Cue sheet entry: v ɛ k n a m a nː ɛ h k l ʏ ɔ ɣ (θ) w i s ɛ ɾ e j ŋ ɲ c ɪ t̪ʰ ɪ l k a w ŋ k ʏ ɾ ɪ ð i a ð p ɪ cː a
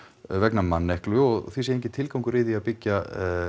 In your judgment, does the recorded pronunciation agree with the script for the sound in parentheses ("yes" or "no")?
yes